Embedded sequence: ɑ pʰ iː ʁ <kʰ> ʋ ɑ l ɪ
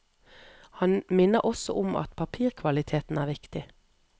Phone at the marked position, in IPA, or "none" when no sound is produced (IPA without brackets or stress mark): kʰ